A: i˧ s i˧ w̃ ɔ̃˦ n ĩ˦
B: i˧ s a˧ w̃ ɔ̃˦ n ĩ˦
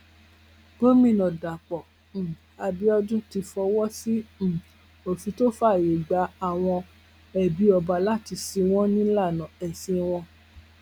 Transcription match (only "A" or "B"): A